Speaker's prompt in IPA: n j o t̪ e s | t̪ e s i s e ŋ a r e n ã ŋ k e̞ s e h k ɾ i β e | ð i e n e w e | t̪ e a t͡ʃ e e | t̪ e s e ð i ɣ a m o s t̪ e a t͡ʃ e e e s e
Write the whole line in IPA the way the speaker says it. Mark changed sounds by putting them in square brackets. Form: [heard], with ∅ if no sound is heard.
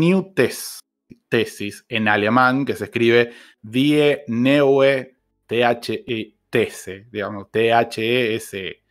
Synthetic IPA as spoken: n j [u] t̪ e s | t̪ e s i s e [n] a [l] e [m] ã ŋ k e̞ s e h k ɾ i β e | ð i e n e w e | t̪ e a t͡ʃ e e | t̪ e s e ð i ɣ a m o s t̪ e a t͡ʃ e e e s e